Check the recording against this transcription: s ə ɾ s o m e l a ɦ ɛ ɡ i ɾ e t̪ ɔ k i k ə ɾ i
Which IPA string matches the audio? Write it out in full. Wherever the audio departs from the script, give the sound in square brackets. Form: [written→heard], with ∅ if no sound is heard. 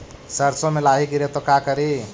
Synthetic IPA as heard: s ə ɾ s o m e l a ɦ [ɛ→i] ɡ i ɾ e t̪ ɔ k [i→a] k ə ɾ i